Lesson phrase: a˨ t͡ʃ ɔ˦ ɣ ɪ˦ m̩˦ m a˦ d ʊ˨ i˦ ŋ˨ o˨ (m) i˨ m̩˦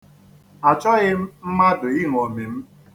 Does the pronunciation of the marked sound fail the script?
no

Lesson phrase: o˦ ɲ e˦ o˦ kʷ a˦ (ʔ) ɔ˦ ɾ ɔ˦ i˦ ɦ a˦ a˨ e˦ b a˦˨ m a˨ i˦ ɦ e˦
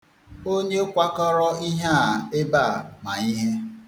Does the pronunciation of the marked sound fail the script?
yes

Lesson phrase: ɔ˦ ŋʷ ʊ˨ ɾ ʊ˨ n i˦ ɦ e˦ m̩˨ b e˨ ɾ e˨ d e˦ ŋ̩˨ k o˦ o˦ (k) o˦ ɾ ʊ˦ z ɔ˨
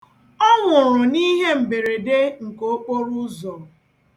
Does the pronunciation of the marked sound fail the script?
yes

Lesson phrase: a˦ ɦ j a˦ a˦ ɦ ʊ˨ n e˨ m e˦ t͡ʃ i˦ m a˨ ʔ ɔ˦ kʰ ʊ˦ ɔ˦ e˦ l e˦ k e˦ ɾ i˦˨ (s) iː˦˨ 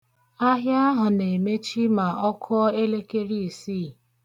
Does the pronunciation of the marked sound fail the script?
no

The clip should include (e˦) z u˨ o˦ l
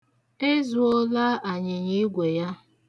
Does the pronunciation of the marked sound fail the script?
no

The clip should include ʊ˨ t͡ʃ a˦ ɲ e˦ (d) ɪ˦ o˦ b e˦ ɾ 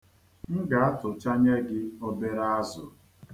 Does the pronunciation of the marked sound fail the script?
yes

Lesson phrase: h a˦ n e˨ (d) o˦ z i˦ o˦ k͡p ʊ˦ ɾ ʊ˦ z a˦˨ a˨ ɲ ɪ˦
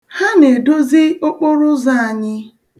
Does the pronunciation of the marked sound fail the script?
no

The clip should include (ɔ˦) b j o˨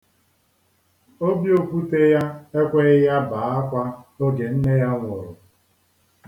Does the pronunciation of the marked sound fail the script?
yes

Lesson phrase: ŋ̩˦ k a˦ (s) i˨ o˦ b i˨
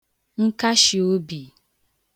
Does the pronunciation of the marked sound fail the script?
yes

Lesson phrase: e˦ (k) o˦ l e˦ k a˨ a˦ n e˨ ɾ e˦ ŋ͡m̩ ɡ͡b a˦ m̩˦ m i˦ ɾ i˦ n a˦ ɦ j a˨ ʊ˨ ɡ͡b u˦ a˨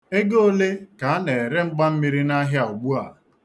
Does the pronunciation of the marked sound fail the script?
yes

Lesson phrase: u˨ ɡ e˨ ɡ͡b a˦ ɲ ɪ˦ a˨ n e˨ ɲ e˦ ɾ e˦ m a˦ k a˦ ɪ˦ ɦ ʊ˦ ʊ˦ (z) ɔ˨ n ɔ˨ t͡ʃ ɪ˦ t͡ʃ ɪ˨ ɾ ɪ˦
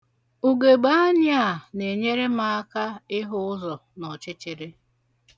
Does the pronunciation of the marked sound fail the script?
no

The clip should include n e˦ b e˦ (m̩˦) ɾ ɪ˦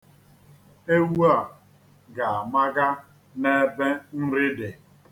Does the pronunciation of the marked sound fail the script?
yes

